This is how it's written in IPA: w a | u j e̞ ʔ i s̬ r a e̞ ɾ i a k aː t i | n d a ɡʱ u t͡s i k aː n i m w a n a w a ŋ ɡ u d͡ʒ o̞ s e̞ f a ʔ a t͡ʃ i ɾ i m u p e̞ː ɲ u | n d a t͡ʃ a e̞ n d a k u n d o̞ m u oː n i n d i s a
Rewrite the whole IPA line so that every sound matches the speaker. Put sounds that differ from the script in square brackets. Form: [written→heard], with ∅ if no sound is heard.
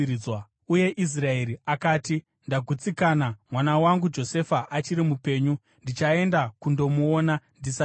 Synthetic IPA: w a | u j e̞ ʔ i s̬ r a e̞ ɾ i a k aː t i | n d a ɡʱ u t͡s i k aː n [i→a] m w a n a w a ŋ ɡ u d͡ʒ o̞ s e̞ f a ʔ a t͡ʃ i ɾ i m u p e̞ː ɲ u | n d [a→i] t͡ʃ a e̞ n d a k u n d o̞ m u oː n [i→a] n d i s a